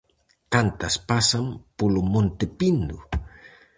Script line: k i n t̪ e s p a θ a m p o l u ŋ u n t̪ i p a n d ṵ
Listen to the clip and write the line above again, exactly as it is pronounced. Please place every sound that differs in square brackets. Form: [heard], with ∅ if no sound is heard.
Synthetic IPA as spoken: k [a] n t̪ [a] s p a [s] a m p [u] l u [m] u n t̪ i p [i] n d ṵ